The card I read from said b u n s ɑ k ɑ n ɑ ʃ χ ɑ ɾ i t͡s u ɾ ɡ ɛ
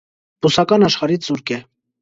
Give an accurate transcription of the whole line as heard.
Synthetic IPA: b u s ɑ k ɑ n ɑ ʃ χ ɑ ɾ i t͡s u ɾ k ɛ